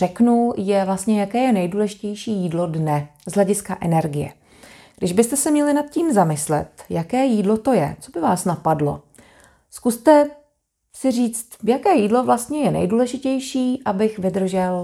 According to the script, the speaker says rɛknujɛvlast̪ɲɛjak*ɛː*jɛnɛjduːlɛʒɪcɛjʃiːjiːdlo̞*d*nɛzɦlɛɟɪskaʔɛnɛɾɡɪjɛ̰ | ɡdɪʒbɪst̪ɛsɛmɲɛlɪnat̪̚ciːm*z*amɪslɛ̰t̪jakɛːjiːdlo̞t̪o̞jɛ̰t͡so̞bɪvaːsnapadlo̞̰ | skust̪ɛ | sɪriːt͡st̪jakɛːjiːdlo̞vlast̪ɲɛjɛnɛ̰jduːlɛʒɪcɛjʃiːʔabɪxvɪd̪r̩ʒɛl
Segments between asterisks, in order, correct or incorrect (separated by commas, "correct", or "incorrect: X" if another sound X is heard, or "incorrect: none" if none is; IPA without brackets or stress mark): correct, correct, correct